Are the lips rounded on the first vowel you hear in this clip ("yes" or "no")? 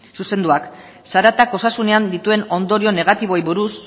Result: yes